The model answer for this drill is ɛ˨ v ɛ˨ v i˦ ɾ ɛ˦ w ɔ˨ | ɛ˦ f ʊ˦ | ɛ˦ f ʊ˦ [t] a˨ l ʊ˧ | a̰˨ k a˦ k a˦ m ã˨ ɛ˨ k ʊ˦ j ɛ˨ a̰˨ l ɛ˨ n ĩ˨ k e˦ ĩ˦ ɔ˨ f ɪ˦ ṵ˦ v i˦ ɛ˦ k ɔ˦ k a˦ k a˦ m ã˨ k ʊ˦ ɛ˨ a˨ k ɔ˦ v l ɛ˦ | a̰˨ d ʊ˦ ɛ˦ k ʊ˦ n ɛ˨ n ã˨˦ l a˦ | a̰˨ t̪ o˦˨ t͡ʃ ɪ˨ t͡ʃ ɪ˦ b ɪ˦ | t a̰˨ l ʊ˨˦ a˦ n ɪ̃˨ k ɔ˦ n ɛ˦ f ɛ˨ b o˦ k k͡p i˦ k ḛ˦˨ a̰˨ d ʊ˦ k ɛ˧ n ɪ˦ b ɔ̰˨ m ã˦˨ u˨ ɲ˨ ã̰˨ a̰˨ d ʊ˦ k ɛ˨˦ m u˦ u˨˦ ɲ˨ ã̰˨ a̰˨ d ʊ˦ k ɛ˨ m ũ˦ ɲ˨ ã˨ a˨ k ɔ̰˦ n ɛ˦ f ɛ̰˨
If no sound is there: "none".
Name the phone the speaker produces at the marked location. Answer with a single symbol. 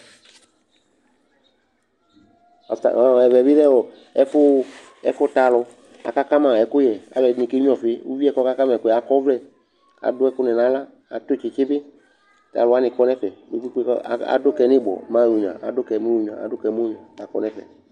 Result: t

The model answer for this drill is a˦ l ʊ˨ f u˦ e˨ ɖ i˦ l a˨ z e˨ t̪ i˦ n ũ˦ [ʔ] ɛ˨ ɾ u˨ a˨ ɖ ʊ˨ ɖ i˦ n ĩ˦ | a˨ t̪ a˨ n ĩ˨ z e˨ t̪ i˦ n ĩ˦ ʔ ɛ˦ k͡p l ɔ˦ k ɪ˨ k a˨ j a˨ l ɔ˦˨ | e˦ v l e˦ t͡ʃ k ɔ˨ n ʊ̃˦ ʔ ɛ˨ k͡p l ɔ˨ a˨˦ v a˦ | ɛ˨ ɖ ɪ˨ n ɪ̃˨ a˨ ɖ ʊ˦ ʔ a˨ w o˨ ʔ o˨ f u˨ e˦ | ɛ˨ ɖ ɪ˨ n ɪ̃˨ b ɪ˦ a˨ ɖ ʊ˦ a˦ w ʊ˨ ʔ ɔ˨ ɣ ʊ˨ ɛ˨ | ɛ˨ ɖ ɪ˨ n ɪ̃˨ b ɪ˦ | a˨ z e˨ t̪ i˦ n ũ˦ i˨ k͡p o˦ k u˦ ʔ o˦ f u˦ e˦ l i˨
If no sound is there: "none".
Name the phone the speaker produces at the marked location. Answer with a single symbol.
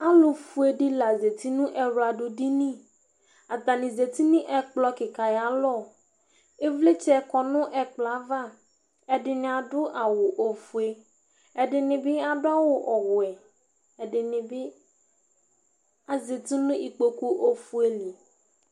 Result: ʔ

